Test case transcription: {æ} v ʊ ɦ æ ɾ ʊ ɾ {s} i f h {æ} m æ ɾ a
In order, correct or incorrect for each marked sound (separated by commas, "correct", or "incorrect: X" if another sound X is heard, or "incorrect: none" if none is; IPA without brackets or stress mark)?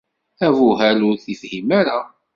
correct, incorrect: θ, incorrect: i